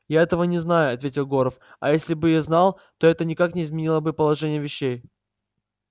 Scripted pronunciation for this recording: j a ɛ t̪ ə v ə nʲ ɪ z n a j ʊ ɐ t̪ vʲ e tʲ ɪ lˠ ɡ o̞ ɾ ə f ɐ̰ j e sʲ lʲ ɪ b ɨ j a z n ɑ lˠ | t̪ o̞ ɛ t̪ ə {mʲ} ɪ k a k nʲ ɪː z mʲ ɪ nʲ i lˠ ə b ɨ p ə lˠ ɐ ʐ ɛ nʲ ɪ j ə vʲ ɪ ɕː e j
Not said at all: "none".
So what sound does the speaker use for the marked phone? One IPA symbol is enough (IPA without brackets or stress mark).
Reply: nʲ